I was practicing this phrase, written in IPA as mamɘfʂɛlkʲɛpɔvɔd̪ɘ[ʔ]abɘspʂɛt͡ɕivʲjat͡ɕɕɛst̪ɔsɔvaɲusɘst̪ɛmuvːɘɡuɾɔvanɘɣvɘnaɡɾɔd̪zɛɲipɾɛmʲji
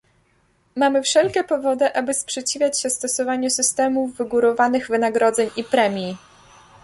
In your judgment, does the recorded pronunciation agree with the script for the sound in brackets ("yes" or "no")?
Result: yes